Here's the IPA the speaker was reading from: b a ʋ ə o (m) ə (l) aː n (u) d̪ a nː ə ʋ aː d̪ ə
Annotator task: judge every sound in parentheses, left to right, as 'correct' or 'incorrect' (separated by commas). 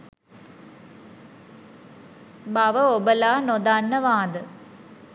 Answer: incorrect, correct, incorrect